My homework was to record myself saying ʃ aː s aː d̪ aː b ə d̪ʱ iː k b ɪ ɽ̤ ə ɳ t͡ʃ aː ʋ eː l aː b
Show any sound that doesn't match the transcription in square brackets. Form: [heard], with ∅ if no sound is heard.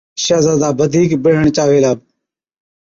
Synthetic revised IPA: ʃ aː [z] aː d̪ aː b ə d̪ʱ iː k b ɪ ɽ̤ ə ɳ t͡ʃ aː ʋ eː l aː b